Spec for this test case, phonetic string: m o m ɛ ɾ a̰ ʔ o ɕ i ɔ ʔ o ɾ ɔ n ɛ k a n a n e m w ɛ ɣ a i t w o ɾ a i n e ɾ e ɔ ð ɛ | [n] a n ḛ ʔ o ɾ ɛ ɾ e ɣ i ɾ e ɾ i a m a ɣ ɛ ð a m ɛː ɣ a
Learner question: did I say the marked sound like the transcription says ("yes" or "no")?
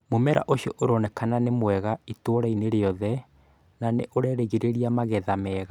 yes